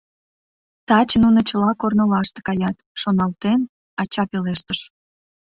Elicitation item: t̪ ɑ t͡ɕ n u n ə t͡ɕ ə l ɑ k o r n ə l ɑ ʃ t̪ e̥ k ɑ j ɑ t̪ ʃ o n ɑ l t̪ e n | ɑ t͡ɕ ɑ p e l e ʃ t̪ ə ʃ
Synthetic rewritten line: t̪ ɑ t͡ɕ n u n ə t͡ɕ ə l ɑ k o r n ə l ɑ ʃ t̪ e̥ k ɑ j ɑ t̪ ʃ o n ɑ l t̪ e n | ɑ t͡ɕ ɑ p e l e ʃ t̪ ə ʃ